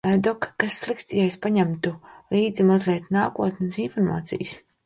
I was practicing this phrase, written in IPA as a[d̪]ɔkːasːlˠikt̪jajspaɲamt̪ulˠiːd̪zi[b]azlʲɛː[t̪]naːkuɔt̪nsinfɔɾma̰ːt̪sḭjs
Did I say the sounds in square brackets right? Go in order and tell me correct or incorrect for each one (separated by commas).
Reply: correct, incorrect, correct